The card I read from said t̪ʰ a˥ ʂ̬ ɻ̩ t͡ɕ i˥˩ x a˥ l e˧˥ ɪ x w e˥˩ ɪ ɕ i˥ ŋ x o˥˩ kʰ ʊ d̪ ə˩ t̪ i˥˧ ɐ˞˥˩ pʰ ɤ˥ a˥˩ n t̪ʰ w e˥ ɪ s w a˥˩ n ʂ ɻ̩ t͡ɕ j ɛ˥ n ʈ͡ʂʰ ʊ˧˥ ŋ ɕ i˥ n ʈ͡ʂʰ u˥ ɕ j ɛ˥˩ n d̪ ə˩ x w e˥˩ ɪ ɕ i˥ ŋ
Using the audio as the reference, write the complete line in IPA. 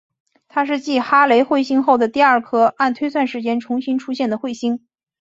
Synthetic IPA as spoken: t̪ʰ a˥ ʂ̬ ɻ̩ t͡ɕ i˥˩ x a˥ l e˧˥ ɪ x w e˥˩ ɪ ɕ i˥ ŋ x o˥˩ ʊ d̪ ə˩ t̪ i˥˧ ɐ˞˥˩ kʰ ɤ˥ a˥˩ n t̪ʰ w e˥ ɪ s w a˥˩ n ʂ ɻ̩ t͡ɕ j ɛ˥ n ʈ͡ʂʰ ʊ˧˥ ŋ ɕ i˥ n ʈ͡ʂʰ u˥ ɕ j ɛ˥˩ n d̪ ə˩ x w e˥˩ ɪ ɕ i˥ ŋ